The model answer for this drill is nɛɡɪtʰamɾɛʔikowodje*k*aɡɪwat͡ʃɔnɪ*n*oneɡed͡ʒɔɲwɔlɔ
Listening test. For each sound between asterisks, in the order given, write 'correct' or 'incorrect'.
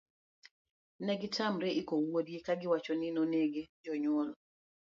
correct, correct

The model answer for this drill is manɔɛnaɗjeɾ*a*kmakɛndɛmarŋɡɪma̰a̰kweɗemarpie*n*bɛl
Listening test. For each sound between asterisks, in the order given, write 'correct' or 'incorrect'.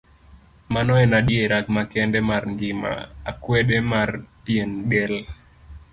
correct, correct

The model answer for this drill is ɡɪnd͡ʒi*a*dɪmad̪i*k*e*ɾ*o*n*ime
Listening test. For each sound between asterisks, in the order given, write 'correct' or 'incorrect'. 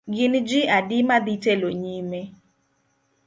correct, incorrect: t, incorrect: l, incorrect: ɲ

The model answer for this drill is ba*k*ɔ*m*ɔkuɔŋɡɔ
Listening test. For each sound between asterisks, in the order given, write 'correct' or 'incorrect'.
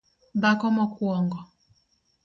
correct, correct

